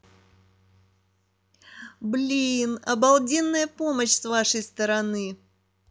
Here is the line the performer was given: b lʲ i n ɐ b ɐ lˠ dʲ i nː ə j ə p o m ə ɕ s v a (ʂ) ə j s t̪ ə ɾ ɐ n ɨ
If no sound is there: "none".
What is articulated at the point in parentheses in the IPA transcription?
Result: ʂ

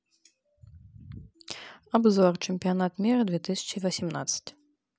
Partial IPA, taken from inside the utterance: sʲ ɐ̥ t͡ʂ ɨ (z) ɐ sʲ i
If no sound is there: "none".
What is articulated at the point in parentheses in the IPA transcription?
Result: v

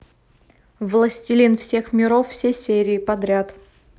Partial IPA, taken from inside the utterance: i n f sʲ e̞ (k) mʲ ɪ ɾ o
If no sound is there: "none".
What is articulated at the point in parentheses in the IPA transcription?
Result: x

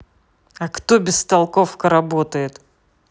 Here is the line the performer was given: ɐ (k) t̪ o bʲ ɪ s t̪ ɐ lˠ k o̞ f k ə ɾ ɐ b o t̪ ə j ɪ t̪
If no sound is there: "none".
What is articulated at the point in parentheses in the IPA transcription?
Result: k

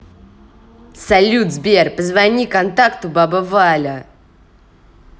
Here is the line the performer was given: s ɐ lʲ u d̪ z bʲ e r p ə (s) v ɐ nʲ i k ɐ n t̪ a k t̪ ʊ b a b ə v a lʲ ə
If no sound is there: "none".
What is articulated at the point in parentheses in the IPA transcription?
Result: z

